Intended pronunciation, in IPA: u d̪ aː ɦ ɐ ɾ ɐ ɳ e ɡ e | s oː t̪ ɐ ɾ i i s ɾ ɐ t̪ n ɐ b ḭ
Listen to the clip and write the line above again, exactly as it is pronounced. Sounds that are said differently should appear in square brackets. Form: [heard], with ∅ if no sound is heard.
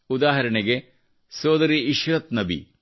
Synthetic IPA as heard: u d̪ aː ɦ ɐ ɾ ɐ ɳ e ɡ e | s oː [d̪] ɐ ɾ i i [ʃ] ɾ ɐ t̪ n ɐ b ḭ